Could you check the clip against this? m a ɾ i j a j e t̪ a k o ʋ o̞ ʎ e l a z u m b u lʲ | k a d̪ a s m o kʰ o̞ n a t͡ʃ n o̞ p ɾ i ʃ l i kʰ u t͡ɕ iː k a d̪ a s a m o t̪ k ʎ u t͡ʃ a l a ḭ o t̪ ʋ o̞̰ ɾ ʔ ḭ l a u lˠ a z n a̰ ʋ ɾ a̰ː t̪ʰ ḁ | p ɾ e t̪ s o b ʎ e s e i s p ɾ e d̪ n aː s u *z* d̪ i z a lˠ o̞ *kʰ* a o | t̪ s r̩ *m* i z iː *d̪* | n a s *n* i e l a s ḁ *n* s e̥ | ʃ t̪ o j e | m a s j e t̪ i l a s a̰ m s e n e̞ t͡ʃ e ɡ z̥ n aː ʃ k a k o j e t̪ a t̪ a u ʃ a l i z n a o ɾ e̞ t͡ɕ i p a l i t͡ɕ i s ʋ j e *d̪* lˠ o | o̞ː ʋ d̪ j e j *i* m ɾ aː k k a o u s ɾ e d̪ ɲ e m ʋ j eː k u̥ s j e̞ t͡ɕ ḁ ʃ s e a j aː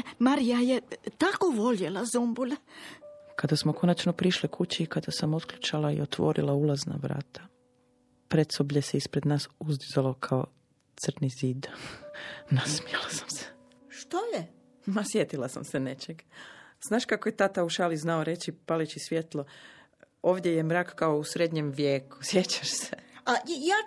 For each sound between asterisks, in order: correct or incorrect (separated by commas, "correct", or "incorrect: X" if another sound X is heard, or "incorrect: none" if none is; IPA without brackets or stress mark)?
correct, correct, incorrect: n, correct, incorrect: m, incorrect: m, incorrect: t̪, incorrect: e